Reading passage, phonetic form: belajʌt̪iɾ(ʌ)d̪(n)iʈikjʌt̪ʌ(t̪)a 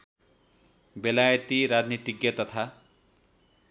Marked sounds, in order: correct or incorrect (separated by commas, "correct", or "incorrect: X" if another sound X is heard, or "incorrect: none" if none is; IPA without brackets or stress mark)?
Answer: incorrect: a, correct, incorrect: t̪ʰ